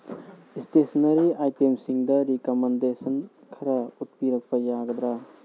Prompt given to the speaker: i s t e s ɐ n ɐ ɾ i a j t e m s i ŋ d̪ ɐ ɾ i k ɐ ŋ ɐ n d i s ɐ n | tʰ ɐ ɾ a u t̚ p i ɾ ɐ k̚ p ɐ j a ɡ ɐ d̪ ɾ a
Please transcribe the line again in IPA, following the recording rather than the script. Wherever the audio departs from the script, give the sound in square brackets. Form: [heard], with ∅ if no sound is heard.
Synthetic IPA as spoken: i s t e s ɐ n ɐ ɾ i a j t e m s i ŋ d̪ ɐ ɾ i k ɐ [m] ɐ n d [e] s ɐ n | [kʰ] ɐ ɾ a u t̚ p i ɾ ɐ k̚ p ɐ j a ɡ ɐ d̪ ɾ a